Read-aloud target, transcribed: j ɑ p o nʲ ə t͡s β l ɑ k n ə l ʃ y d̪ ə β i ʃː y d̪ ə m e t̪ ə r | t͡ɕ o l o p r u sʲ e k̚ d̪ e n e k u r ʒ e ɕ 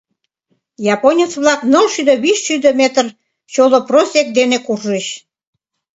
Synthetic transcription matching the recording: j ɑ p o nʲ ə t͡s β l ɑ k n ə l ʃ y d̪ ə β i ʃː y d̪ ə m e t̪ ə r | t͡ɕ o l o p r o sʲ e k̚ d̪ e n e k u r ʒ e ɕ

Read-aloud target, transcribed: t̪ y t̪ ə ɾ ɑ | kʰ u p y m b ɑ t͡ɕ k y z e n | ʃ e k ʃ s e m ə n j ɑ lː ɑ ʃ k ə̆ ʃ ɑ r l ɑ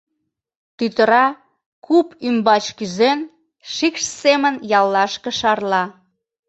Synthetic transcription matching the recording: t̪ y t̪ ə ɾ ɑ | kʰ u p y m b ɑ t͡ɕ k y z e n | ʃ i k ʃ s e m ə n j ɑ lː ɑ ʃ k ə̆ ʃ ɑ r l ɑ

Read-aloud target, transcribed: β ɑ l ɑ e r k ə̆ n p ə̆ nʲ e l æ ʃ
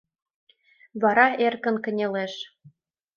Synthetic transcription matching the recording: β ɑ ɾ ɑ e r k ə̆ n k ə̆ nʲ e l e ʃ

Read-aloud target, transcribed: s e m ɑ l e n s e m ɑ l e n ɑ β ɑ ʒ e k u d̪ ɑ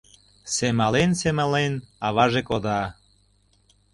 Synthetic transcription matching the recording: s e m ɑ l e n s e m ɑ l e n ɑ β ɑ ʒ e k o d̪ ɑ

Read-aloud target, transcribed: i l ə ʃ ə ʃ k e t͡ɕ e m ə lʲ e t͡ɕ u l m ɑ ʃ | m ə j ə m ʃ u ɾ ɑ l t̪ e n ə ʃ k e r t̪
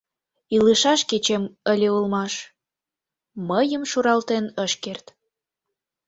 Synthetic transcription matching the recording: i l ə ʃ ɑ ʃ k e t͡ɕ e m ə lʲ e u l m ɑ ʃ | m ə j ə m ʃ u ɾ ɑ l t̪ e n ə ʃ k e r t̪

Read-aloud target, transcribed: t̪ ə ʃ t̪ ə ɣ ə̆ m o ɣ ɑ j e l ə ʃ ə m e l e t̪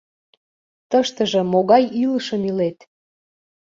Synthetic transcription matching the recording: t̪ ə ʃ t̪ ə ʒ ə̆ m o ɣ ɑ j i l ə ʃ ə m i l e t̪

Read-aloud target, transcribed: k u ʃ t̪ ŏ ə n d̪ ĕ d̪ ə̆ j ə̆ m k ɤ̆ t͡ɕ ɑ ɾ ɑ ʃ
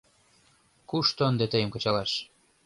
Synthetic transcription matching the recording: k u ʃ t̪ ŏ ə n d̪ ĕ t̪ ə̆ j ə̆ m k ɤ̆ t͡ɕ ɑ l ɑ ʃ

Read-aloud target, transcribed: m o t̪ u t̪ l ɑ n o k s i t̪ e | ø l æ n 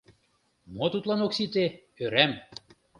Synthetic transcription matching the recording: m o t̪ u t̪ l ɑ n o k s i t̪ e | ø ɾ æ m

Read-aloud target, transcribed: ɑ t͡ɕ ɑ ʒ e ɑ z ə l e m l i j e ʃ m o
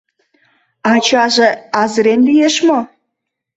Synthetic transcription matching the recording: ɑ t͡ɕ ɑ ʒ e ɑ z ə ɾ e n l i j e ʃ m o

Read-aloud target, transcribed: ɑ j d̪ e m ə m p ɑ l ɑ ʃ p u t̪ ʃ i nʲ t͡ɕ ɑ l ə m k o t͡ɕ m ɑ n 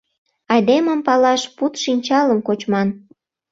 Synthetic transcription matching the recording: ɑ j d̪ e m ə m p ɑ l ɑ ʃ p u t̪ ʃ i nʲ t͡ɕ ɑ l ə m k o t͡ɕ m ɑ n

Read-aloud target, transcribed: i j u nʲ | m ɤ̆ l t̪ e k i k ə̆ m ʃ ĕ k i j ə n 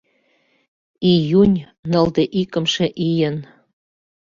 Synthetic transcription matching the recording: i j u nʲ | n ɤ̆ l d̪ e ʔ i k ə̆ m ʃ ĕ ʔ i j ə n

